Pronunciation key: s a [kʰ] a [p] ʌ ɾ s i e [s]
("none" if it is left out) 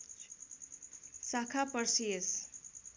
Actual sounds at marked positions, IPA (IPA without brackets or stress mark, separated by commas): kʰ, p, s